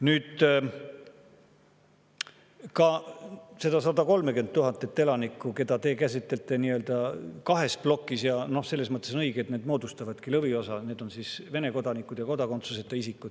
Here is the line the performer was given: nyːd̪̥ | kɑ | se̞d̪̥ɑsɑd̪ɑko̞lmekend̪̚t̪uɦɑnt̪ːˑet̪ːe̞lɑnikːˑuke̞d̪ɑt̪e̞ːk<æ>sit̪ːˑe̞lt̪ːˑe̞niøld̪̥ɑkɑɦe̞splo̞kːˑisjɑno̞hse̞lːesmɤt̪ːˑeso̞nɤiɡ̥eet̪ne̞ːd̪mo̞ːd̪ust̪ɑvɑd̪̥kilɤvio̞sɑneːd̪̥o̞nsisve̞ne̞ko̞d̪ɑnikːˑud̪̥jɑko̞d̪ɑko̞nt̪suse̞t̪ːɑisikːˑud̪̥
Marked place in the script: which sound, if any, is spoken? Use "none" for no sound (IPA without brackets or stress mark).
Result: æ